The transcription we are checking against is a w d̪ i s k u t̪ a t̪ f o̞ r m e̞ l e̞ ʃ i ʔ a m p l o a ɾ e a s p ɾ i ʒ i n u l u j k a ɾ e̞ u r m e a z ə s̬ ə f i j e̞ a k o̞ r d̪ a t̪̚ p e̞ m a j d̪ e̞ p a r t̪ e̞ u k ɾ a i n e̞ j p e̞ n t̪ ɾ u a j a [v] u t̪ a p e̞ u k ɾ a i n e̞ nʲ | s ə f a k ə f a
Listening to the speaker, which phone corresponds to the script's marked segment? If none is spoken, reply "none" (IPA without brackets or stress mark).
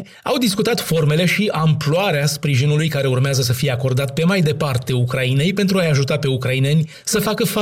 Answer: ʒ